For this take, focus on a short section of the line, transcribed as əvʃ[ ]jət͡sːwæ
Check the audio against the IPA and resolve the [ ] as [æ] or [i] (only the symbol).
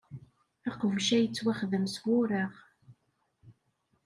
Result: æ